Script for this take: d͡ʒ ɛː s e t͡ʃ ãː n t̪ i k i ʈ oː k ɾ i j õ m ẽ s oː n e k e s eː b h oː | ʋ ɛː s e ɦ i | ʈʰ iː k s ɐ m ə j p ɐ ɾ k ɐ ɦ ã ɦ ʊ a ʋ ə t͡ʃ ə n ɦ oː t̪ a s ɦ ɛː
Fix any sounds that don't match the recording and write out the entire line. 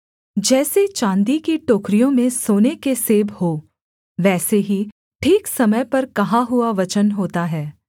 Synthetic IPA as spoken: d͡ʒ ɛː s e t͡ʃ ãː n d̪ i k i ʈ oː k ɾ i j õ m ẽ s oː n e k e s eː b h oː | ʋ ɛː s e ɦ i | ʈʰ iː k s ɐ m ə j p ɐ ɾ k ɐ ɦ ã ɦ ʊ a ʋ ɐ t͡ʃ ə n ɦ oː t̪ a ɦ ɛː